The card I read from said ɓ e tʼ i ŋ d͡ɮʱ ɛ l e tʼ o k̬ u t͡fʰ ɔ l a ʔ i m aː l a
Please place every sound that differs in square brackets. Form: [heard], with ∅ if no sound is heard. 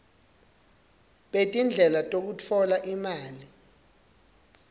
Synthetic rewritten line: ɓ e tʼ i [n] d͡ɮʱ ɛ l [a] tʼ o k̬ u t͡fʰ ɔ l a ʔ i m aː l [i]